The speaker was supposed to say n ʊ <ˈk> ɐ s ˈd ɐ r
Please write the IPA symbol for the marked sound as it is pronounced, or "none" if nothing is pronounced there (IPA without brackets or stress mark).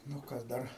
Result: k